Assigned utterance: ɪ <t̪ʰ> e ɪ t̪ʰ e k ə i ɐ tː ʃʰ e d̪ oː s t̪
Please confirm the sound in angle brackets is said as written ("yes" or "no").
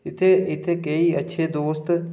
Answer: yes